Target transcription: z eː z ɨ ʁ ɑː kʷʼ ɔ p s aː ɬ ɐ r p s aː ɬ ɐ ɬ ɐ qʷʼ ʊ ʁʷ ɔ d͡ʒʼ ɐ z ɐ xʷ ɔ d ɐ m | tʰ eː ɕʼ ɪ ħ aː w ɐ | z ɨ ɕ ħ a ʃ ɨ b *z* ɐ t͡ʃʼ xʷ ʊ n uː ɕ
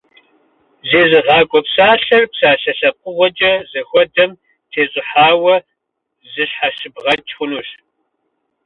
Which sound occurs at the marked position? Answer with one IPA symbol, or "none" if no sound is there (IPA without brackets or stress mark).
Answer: ʁ